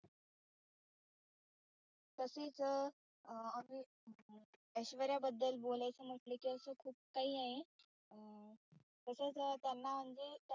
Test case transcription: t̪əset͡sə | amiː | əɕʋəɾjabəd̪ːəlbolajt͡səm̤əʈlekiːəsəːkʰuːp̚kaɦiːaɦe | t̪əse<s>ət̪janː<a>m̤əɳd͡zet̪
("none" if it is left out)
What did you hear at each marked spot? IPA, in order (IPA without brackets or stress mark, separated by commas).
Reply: t͡s, a